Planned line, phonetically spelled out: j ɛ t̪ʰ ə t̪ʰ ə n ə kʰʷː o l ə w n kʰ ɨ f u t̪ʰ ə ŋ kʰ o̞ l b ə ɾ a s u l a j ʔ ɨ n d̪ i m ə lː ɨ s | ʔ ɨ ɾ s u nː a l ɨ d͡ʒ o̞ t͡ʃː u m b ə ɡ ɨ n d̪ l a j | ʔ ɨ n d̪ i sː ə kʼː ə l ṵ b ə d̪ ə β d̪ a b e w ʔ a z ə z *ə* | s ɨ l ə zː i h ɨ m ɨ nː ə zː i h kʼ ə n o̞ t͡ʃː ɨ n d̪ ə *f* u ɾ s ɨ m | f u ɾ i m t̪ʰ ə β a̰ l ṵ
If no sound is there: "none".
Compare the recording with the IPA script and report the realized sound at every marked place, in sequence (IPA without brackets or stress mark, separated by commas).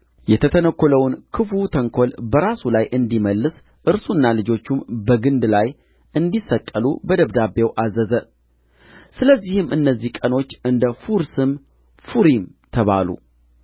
ə, f